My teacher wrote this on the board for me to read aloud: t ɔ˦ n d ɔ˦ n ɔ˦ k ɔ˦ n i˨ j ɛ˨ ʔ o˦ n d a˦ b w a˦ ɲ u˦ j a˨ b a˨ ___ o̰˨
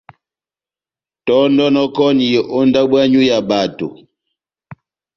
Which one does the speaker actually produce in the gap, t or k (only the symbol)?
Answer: t